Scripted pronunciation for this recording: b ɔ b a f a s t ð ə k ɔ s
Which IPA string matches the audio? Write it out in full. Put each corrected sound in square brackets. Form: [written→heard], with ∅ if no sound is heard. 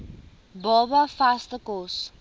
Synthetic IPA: b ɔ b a f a s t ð ə k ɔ s

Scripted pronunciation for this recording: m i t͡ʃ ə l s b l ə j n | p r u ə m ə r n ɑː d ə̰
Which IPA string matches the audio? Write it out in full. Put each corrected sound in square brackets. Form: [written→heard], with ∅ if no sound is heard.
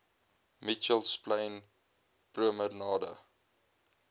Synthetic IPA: m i t͡ʃ ə l s [b→p] l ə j n | p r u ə m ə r n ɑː d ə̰

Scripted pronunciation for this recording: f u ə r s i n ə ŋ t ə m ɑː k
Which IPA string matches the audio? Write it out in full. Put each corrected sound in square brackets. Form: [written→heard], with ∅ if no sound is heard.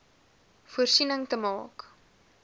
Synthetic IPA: f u ə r s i n ə ŋ t ə m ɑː k

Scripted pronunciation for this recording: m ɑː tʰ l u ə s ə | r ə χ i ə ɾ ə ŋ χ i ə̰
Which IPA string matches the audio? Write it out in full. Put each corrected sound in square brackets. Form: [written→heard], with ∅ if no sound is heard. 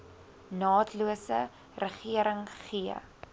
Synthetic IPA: [m→n] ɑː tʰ l u ə s ə | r ə χ i ə ɾ ə ŋ χ i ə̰

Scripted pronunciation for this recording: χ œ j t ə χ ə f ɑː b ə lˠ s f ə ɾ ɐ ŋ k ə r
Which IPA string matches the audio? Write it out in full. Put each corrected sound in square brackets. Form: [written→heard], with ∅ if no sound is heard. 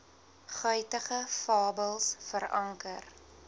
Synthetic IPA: χ œ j t ə χ ə f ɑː b ə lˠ s f ə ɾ ɐ ŋ k ə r

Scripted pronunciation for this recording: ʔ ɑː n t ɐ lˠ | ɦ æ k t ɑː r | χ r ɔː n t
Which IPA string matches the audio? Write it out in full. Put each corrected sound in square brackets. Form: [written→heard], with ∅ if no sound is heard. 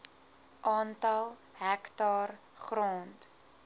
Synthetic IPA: ʔ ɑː n t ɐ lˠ | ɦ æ k t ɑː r | χ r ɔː n t

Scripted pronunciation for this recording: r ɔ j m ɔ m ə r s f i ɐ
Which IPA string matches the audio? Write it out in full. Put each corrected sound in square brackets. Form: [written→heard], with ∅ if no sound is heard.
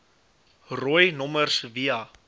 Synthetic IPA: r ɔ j [m→n] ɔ m ə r s [f→v] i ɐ

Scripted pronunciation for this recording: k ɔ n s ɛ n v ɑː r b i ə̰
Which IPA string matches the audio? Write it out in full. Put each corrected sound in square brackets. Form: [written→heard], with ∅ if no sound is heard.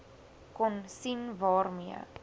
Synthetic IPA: k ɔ n s [ɛ→i] n v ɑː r [b→m] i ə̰

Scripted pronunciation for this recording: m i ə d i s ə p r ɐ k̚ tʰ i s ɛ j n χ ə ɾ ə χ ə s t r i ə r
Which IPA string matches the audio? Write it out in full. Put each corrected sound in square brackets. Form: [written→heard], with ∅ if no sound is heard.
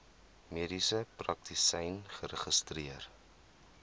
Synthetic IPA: m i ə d i s ə p r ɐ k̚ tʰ i s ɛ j n χ ə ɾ ə χ ə s t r i ə r

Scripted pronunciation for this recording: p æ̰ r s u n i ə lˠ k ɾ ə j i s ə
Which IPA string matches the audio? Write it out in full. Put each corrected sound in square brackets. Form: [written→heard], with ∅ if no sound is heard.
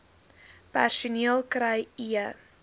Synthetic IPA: p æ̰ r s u n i ə lˠ k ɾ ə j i [s→∅] ə

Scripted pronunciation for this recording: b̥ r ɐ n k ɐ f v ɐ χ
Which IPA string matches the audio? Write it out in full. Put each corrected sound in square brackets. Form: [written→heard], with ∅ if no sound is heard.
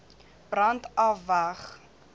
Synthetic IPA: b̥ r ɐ n [k→t] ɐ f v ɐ χ

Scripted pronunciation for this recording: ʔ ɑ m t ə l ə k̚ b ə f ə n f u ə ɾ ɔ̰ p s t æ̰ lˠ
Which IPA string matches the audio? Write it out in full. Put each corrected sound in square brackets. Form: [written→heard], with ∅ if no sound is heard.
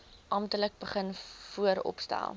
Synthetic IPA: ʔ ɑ m t ə l ə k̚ b ə [f→χ] ə n f u ə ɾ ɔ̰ p s t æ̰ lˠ

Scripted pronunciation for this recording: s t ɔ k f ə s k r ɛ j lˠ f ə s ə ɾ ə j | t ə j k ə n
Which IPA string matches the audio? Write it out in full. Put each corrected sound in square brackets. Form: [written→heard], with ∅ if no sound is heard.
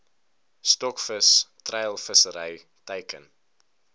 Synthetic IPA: s t ɔ k f ə s [k→t] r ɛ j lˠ f ə s ə ɾ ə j | t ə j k ə n

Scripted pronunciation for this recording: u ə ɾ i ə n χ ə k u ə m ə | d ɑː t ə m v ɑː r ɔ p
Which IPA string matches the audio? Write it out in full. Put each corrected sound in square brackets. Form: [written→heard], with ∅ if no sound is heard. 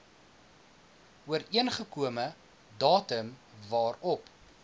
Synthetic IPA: u ə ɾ i ə n χ ə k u ə m ə | d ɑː t ə m v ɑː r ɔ p

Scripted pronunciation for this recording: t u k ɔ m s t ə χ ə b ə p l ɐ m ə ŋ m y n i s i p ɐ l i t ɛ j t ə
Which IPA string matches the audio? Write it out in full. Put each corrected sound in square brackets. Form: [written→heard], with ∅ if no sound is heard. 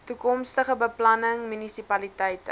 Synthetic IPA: t u k ɔ m s t ə χ ə b ə p l ɐ [m→n] ə ŋ m y n i s i p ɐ l i t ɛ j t ə

